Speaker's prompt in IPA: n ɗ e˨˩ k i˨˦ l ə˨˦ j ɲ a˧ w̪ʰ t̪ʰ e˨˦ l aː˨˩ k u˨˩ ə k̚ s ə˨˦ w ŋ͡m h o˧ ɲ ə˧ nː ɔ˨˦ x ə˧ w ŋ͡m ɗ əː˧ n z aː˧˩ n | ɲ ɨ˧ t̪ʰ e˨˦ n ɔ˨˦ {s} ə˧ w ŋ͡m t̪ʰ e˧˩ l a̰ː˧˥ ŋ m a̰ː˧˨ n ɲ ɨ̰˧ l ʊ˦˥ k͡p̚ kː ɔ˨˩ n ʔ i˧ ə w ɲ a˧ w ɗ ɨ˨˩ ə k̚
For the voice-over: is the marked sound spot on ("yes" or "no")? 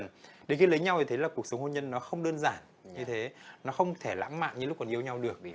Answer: no